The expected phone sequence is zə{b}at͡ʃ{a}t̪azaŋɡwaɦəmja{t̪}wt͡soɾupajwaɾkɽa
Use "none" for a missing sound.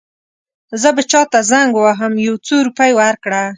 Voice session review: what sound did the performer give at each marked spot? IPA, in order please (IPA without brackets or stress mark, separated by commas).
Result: b, ɑ, none